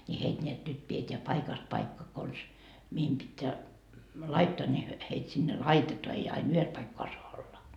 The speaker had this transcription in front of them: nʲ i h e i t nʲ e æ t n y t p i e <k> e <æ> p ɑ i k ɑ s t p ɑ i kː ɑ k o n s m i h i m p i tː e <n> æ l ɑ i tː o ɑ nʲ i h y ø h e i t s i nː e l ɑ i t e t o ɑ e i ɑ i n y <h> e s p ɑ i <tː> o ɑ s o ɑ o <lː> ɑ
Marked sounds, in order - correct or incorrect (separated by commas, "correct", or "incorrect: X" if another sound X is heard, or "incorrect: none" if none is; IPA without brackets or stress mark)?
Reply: incorrect: t, correct, incorrect: none, correct, incorrect: kː, correct